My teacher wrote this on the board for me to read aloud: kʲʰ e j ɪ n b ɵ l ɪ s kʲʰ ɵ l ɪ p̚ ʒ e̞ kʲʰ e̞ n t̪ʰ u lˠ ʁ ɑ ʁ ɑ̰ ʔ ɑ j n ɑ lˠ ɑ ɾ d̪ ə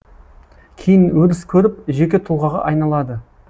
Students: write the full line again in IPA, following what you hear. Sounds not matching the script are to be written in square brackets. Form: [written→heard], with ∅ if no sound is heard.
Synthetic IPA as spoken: kʲʰ e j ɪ n [b→w] ɵ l ɪ s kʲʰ ɵ [l→ɾ] ɪ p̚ ʒ e̞ [kʲʰ→kʲ] e̞ [n→∅] t̪ʰ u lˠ ʁ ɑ ʁ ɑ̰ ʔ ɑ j n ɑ lˠ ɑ [ɾ→∅] d̪ ə